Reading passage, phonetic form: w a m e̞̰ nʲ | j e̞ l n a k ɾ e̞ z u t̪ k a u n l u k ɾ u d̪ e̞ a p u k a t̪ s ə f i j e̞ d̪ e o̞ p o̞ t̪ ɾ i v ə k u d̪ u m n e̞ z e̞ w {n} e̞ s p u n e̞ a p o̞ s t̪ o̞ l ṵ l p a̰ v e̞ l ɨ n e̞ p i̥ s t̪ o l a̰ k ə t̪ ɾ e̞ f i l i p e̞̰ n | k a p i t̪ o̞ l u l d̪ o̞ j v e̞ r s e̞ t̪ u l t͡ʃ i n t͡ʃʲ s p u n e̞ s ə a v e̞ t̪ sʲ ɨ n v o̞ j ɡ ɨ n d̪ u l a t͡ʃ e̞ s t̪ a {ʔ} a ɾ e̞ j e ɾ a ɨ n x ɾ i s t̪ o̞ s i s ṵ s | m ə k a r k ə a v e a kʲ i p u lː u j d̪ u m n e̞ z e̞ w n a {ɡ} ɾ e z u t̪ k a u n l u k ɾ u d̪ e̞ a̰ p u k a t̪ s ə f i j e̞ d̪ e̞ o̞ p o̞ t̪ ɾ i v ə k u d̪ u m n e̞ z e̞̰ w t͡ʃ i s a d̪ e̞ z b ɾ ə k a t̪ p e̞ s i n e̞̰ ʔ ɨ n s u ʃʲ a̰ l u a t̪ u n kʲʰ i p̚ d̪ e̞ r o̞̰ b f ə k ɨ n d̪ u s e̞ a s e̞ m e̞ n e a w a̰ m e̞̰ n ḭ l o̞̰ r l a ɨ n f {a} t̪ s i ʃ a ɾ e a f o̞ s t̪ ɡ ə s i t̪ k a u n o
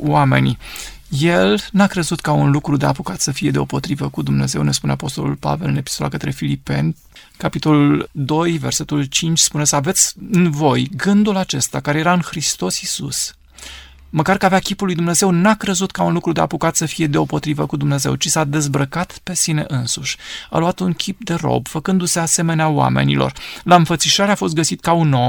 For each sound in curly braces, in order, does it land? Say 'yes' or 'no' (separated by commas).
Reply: yes, no, no, no